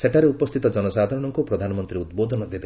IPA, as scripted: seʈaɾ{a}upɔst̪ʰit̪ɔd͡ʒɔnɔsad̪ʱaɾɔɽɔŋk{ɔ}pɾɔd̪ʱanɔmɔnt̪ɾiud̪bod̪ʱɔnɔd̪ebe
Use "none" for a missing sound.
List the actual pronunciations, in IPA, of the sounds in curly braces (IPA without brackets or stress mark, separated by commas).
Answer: e, u